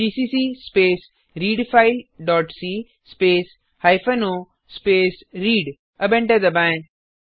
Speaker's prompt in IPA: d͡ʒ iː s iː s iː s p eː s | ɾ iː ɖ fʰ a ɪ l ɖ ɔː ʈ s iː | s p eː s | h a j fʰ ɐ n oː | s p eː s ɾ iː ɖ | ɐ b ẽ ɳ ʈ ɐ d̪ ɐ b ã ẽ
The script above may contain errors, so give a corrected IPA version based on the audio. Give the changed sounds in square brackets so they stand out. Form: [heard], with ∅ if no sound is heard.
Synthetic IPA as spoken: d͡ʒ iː s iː s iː s p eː s | ɾ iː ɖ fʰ a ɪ l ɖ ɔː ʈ s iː | s p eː s | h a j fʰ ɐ n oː | s p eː s ɾ iː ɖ | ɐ b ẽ ɳ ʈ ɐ d̪ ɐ b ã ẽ